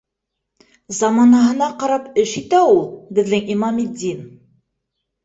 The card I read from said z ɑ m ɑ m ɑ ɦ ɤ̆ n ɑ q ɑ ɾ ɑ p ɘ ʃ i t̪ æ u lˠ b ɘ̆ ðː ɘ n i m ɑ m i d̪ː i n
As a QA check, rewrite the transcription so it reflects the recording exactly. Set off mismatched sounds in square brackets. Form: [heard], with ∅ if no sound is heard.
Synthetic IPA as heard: z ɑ m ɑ [n] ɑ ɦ ɤ̆ n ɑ q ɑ ɾ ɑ p ɘ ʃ i t̪ æ u lˠ b ɘ̆ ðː ɘ [ŋ] i m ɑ m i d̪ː i n